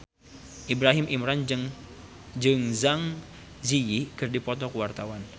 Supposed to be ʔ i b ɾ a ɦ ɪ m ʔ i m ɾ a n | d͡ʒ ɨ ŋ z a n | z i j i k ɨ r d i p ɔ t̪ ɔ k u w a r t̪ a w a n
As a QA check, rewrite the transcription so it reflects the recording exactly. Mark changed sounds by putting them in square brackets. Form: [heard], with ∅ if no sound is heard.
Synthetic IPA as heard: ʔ i b ɾ a ɦ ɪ m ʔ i m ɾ a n | d͡ʒ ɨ ŋ z a [ŋ] | z i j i k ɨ r d i p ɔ t̪ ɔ k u w a r t̪ a w a n